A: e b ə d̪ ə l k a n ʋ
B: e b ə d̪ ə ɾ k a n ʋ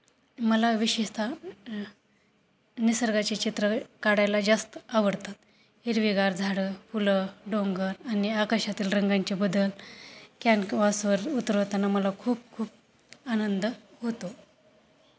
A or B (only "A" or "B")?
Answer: A